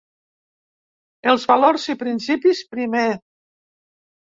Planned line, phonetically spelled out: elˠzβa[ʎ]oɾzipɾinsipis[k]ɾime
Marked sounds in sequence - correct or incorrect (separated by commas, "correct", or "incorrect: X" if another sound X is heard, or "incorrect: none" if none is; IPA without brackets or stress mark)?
incorrect: l, incorrect: p